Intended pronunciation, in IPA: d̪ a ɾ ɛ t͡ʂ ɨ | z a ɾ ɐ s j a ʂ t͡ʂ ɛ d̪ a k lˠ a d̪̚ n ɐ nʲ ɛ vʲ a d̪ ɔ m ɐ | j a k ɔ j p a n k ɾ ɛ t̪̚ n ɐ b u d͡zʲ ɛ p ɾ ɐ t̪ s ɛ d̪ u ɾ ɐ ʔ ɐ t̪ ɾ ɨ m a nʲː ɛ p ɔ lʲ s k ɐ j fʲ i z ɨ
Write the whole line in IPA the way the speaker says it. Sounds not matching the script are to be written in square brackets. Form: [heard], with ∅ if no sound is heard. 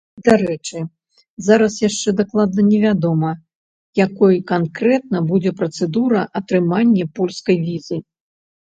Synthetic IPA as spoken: d̪ a ɾ ɛ t͡ʂ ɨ | z a ɾ ɐ s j a ʂ t͡ʂ ɛ d̪ a k lˠ a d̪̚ n ɐ nʲ ɛ vʲ a d̪ ɔ m ɐ | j a k ɔ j [k] a n k ɾ ɛ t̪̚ n ɐ b u d͡zʲ ɛ p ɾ ɐ t̪ s ɛ d̪ u ɾ ɐ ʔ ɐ t̪ ɾ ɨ m a nʲː ɛ p ɔ lʲ s k ɐ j [vʲ] i z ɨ

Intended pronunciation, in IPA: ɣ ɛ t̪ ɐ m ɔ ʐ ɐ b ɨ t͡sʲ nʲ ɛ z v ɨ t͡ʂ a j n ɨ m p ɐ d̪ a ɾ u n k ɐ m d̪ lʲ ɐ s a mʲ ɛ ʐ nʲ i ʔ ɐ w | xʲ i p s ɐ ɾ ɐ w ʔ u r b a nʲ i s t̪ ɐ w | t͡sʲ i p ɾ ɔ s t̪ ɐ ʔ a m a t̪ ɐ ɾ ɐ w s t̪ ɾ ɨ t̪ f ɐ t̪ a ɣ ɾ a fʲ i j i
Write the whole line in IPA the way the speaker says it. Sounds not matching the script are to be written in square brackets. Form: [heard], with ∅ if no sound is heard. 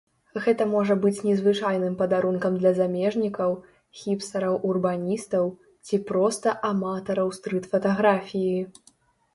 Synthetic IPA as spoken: ɣ ɛ t̪ ɐ m ɔ ʐ ɐ b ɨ t͡sʲ nʲ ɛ z v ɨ t͡ʂ a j n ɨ m p ɐ d̪ a ɾ u n k ɐ m d̪ lʲ ɐ [z] a mʲ ɛ ʐ nʲ i [k] ɐ w | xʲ i p s ɐ ɾ ɐ w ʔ u r b a nʲ i s t̪ ɐ w | t͡sʲ i p ɾ ɔ s t̪ ɐ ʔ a m a t̪ ɐ ɾ ɐ w s t̪ ɾ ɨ t̪ f ɐ t̪ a ɣ ɾ a fʲ i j i

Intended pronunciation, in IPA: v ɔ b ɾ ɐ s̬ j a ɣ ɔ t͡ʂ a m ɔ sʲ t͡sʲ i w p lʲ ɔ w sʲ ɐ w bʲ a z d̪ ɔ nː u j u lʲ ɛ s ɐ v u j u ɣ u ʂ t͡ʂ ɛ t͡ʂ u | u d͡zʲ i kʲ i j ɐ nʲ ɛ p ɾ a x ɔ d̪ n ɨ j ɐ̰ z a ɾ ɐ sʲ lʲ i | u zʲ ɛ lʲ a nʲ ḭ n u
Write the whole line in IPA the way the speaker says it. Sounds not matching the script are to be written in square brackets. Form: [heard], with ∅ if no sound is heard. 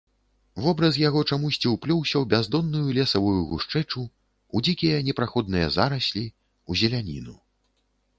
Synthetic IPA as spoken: v ɔ b ɾ ɐ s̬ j a ɣ ɔ t͡ʂ a m [u] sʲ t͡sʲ i w p lʲ ɔ w sʲ ɐ w bʲ a z d̪ ɔ nː u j u lʲ ɛ s ɐ v u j u ɣ u ʂ t͡ʂ ɛ t͡ʂ u | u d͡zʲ i kʲ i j ɐ nʲ ɛ p ɾ a x ɔ d̪ n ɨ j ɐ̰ z a ɾ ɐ sʲ lʲ i | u zʲ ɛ lʲ a nʲ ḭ n u

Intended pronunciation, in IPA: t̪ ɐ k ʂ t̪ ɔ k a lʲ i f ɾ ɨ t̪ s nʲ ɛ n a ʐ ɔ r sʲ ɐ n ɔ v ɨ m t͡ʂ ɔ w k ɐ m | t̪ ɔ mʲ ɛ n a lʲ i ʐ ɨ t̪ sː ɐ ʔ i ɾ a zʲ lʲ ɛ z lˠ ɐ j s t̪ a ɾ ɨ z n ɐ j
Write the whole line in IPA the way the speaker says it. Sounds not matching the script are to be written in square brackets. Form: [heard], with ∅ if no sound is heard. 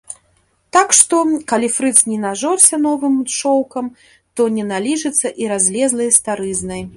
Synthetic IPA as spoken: t̪ [a] k ʂ t̪ ɔ k a lʲ i f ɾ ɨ t̪ s nʲ ɛ n a ʐ ɔ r sʲ ɐ n ɔ v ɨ m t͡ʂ ɔ w k ɐ m | t̪ ɔ [nʲ] ɛ n a lʲ i ʐ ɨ t̪ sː ɐ ʔ i ɾ a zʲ lʲ ɛ z lˠ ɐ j s t̪ a ɾ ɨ z n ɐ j

